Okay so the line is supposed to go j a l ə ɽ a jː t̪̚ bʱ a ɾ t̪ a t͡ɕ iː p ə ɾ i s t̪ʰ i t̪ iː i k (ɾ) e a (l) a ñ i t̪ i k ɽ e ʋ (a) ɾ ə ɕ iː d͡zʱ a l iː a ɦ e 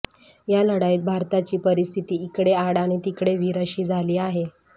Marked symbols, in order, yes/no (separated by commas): no, no, no